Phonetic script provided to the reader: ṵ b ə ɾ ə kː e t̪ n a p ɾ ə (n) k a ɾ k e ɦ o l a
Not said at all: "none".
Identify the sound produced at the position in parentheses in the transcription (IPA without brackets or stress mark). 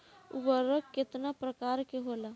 none